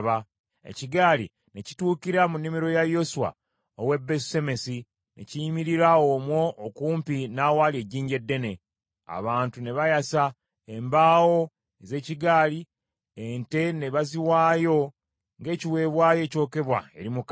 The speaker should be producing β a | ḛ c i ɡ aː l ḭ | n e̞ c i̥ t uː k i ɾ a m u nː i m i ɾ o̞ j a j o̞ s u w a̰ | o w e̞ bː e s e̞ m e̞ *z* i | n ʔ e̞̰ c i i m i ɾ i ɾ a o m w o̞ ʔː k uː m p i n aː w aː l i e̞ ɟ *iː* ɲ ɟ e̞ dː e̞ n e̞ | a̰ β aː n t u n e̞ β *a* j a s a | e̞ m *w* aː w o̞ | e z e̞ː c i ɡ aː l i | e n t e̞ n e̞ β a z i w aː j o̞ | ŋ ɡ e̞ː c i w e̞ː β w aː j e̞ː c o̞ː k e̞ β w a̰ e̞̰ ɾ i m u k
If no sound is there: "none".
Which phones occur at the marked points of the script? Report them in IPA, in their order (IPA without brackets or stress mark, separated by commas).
s, iː, a, b